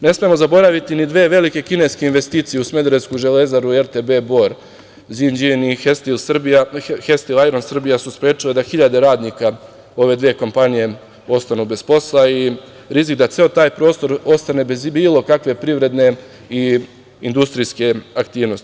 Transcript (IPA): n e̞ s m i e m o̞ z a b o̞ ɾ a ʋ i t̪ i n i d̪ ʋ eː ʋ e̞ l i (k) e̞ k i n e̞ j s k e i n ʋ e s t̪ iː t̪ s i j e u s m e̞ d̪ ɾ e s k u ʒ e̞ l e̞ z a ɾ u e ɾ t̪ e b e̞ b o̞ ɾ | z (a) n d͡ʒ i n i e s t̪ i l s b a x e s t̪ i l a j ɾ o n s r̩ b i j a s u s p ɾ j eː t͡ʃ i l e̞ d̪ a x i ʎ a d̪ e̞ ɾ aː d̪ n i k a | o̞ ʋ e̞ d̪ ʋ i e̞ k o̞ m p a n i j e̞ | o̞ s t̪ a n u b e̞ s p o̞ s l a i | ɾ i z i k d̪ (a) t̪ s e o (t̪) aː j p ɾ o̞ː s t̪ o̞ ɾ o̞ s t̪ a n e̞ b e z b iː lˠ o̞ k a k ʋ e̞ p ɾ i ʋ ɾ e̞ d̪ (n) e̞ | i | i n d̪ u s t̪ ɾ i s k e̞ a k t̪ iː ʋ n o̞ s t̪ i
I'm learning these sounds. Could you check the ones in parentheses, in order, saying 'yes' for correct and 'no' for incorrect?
yes, no, yes, yes, yes

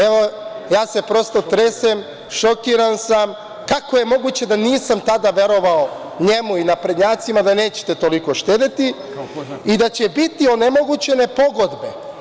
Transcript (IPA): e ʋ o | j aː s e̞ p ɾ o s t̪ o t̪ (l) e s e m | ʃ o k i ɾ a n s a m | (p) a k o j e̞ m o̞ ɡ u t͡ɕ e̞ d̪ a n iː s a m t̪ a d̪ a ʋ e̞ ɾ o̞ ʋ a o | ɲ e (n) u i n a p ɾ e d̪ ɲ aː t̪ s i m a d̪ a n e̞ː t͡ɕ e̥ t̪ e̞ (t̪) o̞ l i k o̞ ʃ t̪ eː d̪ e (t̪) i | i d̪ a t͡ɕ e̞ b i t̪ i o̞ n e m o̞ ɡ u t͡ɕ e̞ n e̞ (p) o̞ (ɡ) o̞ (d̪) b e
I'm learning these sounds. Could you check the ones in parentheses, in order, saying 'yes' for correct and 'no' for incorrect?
no, no, no, yes, yes, yes, yes, yes

